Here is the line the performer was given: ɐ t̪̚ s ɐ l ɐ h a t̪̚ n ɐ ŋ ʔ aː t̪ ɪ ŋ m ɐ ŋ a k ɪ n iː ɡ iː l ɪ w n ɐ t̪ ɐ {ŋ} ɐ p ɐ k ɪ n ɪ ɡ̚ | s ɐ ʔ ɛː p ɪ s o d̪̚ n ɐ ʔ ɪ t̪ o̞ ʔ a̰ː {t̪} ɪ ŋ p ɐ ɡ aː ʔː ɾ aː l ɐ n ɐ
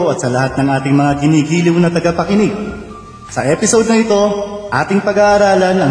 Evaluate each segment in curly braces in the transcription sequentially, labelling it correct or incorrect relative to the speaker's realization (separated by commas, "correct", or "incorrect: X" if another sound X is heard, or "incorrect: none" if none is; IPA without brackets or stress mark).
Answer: incorrect: ɡ, correct